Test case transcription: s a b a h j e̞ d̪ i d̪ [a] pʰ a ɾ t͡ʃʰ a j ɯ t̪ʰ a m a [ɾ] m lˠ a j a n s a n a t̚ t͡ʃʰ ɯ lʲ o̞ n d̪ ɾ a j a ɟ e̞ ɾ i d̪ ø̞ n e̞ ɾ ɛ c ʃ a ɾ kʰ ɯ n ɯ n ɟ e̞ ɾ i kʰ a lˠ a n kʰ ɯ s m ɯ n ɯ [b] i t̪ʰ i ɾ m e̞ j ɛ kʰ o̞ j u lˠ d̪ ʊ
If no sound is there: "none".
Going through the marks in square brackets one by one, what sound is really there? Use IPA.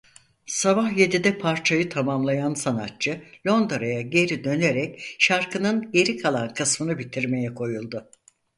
ɛ, none, b

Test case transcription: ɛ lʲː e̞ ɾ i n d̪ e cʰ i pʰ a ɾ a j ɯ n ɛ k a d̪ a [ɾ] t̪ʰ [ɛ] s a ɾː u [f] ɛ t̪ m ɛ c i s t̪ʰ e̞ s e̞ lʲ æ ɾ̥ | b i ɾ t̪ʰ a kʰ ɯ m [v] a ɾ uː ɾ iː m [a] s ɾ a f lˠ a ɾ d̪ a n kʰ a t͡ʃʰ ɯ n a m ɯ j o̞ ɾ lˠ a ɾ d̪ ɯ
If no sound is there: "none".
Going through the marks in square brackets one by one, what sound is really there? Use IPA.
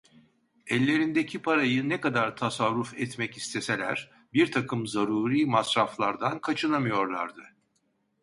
ɾ, a, f, z, a

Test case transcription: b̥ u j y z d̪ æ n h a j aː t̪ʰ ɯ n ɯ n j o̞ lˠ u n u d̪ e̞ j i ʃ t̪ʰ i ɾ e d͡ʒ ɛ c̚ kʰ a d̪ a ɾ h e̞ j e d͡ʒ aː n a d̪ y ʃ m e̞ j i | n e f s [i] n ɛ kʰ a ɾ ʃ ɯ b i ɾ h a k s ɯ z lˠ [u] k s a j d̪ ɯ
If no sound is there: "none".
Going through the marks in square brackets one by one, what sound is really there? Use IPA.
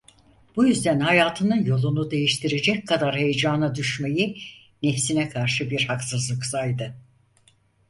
i, ɯ

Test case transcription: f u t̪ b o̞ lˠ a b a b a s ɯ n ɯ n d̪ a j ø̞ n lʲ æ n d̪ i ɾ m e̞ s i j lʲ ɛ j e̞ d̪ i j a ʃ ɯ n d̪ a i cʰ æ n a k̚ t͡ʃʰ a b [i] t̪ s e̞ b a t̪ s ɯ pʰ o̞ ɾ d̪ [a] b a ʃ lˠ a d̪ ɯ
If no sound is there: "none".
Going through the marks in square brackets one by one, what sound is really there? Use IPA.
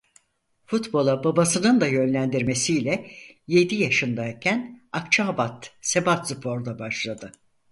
a, a

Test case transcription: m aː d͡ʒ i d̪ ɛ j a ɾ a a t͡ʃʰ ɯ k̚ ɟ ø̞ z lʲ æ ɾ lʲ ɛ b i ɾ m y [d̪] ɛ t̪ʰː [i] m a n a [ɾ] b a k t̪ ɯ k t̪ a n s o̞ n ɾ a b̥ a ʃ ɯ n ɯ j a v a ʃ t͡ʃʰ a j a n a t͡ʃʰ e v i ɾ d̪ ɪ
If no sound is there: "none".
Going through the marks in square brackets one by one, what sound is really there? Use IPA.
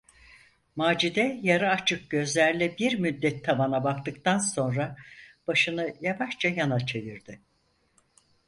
d̪ː, a, none

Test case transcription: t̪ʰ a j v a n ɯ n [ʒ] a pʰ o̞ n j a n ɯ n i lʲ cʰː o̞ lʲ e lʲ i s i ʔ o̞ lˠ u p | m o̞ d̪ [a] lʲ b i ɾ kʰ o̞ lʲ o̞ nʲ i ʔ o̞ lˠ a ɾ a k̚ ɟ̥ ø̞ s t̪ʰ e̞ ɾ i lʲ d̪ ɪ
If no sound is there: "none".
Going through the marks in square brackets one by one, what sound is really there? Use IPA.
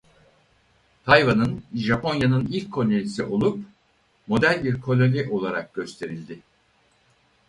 ʒ, æ

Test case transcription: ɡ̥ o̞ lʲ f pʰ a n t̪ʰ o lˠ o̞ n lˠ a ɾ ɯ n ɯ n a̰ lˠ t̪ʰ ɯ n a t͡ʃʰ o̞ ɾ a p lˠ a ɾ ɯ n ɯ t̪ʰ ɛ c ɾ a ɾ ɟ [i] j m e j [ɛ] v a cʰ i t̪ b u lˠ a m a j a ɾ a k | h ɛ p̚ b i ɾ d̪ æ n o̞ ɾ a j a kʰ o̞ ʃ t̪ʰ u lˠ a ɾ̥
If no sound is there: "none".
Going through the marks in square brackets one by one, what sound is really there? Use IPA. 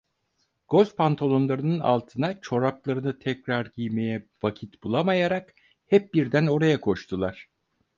i, ɛ

